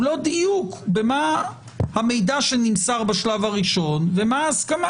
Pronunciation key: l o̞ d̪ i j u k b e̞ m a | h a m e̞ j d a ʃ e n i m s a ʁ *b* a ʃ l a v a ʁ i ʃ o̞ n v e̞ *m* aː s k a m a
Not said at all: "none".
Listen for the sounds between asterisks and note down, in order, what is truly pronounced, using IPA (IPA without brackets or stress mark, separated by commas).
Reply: b, m